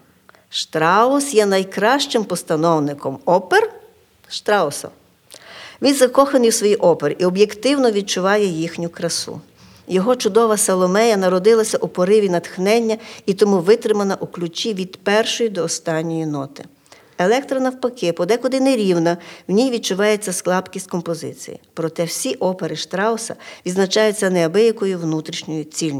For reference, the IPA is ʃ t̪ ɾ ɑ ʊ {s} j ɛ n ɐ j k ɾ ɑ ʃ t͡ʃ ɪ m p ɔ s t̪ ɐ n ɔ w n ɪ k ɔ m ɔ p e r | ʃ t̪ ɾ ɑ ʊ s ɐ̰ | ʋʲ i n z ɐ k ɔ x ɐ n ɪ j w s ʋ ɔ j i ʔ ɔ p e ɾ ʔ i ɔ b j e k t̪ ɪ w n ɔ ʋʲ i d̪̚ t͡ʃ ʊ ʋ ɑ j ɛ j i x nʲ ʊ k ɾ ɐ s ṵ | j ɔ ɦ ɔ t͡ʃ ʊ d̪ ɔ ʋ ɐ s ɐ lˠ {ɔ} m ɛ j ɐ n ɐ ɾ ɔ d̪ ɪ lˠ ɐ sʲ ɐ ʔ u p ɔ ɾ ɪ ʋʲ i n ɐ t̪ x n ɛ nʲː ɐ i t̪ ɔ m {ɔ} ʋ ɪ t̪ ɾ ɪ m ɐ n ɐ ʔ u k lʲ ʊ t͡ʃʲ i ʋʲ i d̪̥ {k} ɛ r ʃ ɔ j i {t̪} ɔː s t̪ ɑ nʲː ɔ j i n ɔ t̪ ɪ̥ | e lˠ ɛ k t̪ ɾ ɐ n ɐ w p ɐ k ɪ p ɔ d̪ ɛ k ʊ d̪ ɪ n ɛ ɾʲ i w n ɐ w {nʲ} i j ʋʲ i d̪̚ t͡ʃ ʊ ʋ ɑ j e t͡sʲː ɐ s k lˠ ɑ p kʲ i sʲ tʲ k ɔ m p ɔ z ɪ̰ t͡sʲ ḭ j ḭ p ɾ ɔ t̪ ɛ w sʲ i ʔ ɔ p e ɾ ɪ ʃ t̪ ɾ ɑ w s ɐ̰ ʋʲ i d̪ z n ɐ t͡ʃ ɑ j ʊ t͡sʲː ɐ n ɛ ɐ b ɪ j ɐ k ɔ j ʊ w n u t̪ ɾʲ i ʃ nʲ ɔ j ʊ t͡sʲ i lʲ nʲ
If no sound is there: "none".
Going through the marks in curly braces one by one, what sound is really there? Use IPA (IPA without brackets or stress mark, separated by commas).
s, ɔ, u, p, d̪, nʲ